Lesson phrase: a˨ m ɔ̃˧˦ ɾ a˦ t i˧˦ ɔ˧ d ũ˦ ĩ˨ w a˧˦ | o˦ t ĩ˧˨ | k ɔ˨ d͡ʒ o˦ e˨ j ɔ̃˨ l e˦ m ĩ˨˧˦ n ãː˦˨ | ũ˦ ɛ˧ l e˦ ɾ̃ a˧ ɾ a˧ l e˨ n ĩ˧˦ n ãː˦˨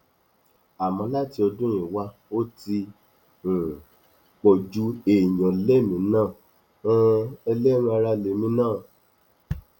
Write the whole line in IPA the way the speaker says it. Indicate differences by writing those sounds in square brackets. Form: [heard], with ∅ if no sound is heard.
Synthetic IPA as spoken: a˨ m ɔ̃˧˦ [l] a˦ t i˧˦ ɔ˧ d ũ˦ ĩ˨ w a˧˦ | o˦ t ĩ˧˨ | [k͡p] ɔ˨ d͡ʒ [u˦] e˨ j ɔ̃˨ l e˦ m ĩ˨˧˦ n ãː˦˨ | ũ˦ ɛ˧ l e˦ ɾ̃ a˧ ɾ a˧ l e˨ [m] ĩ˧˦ n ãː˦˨

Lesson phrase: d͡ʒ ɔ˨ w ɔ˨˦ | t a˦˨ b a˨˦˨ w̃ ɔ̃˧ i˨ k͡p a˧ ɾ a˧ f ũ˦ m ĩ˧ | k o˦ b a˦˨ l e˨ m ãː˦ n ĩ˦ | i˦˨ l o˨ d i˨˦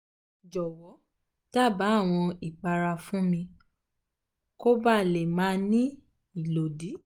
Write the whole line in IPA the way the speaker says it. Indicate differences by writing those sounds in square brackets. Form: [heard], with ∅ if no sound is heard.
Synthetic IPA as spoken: d͡ʒ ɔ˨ w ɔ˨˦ | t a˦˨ b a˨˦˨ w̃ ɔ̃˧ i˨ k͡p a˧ ɾ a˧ f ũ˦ m ĩ˧ | k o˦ b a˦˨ l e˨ m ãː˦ n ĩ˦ | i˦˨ l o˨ d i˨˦

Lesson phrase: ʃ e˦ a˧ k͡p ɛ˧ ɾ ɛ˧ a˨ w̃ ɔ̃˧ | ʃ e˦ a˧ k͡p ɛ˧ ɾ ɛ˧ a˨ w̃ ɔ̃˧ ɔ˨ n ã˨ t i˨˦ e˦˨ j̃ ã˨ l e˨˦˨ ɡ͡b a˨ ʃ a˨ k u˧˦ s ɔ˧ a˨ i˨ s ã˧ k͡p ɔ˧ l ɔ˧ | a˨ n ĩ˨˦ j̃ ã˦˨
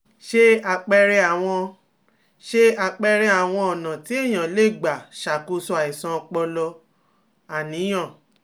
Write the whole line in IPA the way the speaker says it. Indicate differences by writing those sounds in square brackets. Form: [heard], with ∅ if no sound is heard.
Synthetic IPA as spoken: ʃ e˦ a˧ k͡p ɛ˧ ɾ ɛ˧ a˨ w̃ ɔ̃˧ | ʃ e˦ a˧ k͡p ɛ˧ ɾ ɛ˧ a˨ w̃ ɔ̃˧ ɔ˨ n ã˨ t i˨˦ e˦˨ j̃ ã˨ l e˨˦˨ ɡ͡b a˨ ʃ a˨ k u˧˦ s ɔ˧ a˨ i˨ s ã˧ k͡p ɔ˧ l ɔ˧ | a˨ n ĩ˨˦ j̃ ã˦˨

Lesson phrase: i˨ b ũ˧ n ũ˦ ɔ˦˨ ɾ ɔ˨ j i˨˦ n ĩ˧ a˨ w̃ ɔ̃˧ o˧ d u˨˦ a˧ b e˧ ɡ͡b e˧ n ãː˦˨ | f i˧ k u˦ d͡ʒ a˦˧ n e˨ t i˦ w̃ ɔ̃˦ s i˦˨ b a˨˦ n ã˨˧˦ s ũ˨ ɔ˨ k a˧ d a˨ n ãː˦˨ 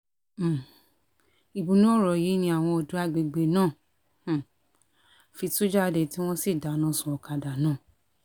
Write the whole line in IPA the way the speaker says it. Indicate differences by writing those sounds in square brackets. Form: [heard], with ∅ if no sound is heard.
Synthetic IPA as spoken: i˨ b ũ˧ n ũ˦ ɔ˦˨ ɾ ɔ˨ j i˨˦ n ĩ˧ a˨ w̃ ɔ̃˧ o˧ d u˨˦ a˧ [ɡ͡b] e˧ ɡ͡b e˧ n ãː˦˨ | f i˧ [t] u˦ d͡ʒ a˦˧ [d] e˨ t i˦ w̃ ɔ̃˦ s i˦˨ [d] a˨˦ n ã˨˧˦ s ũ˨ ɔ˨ k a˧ d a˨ n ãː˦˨

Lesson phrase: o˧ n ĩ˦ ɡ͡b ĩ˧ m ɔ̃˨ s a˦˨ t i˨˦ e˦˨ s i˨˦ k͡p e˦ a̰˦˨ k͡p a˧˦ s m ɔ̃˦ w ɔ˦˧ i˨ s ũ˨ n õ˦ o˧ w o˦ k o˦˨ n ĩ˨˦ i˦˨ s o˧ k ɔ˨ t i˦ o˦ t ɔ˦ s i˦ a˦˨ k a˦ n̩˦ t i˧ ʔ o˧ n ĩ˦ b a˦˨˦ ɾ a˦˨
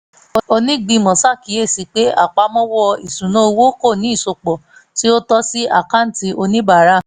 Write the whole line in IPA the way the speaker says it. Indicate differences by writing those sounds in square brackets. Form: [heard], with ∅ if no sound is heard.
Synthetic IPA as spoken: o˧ n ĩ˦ ɡ͡b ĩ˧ m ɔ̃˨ s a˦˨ [k] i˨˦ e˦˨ s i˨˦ k͡p e˦ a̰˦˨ k͡p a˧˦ [∅] m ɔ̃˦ w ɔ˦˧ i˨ s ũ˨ n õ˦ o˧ w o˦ k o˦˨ n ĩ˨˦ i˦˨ s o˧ [k͡p] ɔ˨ t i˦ o˦ t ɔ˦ s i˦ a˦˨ k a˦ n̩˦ t i˧ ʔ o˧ n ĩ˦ b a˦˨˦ ɾ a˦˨

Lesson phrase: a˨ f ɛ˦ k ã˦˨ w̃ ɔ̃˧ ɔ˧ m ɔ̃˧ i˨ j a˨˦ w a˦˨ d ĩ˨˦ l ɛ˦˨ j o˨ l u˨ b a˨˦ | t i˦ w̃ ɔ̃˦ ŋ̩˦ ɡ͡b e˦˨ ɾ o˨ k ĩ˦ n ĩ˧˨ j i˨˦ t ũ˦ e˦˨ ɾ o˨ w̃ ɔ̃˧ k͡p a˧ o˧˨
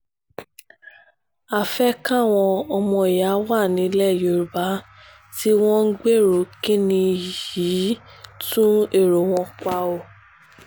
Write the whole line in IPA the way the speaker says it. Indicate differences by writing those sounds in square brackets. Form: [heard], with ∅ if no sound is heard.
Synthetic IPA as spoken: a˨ f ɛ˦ k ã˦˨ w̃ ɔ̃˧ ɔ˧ m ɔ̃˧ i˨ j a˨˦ w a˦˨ [n] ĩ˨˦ l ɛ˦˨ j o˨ [ɾ] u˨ b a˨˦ | t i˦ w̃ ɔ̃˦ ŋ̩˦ ɡ͡b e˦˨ ɾ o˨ k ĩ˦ n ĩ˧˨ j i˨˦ t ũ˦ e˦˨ ɾ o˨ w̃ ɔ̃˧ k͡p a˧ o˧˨

